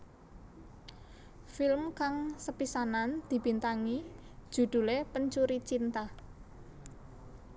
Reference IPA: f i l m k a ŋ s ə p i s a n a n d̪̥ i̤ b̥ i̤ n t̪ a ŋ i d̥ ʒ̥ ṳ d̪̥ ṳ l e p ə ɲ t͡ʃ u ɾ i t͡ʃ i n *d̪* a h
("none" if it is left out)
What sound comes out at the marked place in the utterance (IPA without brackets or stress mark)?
t̪